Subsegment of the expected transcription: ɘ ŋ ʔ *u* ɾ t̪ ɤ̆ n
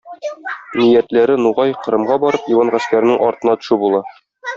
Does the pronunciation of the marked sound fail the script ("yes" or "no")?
yes